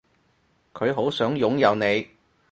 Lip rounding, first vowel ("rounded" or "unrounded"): rounded